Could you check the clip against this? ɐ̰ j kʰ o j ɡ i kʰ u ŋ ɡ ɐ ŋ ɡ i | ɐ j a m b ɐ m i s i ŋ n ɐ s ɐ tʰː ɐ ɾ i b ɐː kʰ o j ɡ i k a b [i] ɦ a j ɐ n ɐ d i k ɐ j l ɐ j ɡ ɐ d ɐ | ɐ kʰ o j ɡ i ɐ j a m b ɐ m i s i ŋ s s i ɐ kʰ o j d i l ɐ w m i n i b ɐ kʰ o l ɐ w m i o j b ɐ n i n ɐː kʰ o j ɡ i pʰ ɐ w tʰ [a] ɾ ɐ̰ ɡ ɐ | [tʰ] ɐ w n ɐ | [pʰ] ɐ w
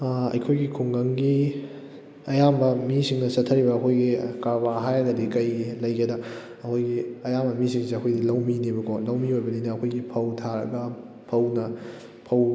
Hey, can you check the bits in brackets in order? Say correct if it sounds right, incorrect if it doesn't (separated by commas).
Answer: incorrect, correct, incorrect, correct